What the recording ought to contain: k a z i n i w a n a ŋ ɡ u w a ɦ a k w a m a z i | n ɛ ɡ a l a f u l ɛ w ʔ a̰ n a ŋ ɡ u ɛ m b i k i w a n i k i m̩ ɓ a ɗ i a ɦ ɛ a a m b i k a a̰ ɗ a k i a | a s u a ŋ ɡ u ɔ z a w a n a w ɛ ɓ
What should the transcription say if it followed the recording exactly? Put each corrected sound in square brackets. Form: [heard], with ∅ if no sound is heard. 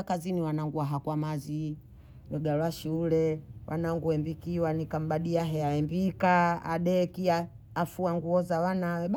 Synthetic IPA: k a z i n i w a n a ŋ ɡ u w a ɦ a k w a m a z i | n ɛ ɡ a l a [ʃ] u l ɛ w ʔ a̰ n a ŋ ɡ u ɛ m b i k i w a n i k [a] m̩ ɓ a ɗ i a ɦ ɛ a [ɛ] m b i k a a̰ ɗ [ɛ] k i a | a [f] u a ŋ ɡ u ɔ z a w a n a w ɛ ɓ